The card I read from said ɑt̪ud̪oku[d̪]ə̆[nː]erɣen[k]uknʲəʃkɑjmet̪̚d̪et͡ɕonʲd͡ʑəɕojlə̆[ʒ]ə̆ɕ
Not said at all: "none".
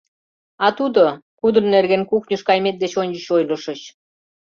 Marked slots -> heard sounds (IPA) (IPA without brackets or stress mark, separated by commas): d̪, nː, k, ʃ